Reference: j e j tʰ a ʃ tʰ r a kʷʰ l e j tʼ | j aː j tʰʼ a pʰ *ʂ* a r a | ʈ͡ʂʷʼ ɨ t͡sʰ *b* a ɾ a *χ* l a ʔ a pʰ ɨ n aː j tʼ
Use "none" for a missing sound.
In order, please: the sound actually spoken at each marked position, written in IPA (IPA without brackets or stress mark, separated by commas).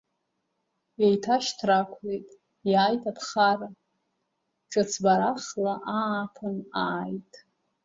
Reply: χ, b, χ